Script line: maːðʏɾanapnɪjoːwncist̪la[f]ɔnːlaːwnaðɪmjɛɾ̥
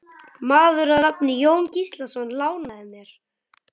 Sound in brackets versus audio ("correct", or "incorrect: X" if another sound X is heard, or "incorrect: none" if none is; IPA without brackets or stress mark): incorrect: s